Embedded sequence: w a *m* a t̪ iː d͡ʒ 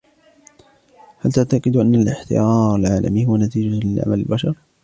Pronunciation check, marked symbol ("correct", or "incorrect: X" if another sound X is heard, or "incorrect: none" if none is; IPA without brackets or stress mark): incorrect: n